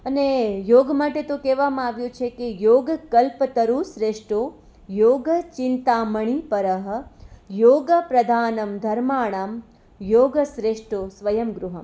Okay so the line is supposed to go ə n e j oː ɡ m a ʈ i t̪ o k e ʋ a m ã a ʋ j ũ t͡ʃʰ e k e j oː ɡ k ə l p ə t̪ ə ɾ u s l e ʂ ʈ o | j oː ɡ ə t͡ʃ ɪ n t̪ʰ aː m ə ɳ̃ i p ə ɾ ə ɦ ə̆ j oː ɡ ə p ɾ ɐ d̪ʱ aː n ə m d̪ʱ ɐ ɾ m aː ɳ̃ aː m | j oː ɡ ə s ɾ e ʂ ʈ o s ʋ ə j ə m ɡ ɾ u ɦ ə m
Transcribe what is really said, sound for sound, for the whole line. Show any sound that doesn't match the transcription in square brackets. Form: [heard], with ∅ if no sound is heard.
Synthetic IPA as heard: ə n e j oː ɡ m a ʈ [e] t̪ o k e ʋ a m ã a ʋ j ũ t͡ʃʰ e k e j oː ɡ k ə l p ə t̪ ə ɾ u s [ɾ] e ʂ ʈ o | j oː ɡ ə t͡ʃ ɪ n [t̪] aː m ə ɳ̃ i p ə ɾ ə ɦ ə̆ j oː ɡ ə p ɾ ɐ d̪ʱ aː n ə m d̪ʱ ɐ ɾ m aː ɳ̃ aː m | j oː ɡ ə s ɾ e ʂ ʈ o s ʋ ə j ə m ɡ ɾ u ɦ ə m